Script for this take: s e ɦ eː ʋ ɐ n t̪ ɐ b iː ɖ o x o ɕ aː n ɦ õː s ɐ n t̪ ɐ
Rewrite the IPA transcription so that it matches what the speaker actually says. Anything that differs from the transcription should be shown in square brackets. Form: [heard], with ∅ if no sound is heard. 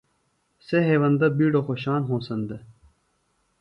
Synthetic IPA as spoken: s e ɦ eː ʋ ɐ n [d̪] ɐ b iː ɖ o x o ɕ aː n ɦ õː s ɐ n [d̪] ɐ